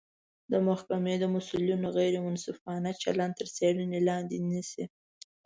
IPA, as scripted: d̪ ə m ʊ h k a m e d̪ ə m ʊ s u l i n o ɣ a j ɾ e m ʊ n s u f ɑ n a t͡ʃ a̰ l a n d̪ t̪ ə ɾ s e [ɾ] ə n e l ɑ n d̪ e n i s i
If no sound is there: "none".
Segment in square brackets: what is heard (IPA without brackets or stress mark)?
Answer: ɽ